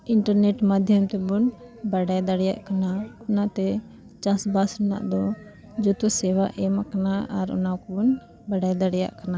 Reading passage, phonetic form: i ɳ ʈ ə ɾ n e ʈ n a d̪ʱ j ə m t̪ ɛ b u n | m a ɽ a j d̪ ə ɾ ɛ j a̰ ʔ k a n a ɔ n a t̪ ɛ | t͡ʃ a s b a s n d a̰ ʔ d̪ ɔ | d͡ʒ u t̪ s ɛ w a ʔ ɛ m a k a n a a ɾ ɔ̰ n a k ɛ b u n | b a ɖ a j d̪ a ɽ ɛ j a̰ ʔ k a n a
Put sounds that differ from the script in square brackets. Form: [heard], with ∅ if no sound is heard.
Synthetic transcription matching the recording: i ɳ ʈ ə ɾ n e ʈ [m] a d̪ʱ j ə m t̪ ɛ b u n | [b] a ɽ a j d̪ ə [ɽ] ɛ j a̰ ʔ k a n a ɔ n a t̪ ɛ | t͡ʃ a s b a s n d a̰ ʔ d̪ ɔ | d͡ʒ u t̪ s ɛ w a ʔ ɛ m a k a n a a ɾ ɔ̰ n a k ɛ b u n | b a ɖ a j d̪ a ɽ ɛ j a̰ ʔ k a n a